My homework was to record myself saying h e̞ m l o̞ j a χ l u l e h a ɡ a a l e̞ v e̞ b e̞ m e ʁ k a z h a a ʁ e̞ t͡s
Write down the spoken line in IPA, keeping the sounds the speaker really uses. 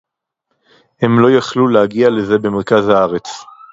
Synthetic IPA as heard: h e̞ m l o̞ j a χ l u l e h a ɡ i a l e̞ z e̞ b e̞ m e ʁ k a z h a a ʁ e̞ t͡s